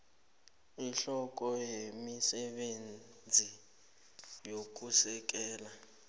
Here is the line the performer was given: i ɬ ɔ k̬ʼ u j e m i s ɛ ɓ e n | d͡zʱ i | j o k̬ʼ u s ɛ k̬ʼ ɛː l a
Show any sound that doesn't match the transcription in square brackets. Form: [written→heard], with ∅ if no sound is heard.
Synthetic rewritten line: i ɬ ɔ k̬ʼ [u→ɔ] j e m i s ɛ ɓ e n | d͡zʱ i | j o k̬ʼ u s ɛ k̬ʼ ɛː l a